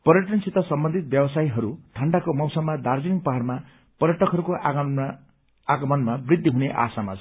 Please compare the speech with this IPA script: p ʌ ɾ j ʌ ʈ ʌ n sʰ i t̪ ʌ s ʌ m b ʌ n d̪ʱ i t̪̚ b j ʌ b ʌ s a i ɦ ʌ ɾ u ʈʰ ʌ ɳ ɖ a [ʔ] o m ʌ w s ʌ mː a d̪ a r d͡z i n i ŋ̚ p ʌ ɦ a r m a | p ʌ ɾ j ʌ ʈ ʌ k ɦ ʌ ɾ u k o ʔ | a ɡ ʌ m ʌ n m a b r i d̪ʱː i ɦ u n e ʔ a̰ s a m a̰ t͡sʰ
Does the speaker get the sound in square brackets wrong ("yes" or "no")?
yes